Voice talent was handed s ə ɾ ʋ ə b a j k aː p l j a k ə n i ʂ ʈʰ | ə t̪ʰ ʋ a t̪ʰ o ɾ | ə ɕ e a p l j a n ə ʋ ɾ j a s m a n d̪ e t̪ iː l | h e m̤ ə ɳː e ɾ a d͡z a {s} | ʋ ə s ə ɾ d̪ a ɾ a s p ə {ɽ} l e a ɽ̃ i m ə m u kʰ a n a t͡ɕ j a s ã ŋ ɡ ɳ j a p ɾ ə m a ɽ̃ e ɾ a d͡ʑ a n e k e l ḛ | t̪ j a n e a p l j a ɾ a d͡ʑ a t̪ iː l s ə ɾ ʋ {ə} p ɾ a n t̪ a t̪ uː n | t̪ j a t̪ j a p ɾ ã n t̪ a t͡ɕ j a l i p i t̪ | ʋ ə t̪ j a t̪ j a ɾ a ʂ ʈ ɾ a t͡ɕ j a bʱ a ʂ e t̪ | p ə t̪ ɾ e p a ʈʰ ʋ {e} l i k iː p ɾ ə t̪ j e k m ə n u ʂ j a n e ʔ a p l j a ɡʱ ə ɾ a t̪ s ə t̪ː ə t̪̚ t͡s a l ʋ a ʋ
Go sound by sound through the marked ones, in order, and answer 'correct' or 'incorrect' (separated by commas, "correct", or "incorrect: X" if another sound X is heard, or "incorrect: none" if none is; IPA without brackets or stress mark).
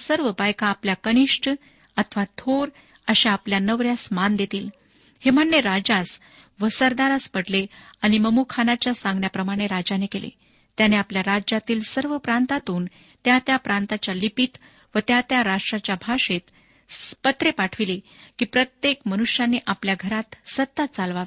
correct, correct, correct, incorrect: i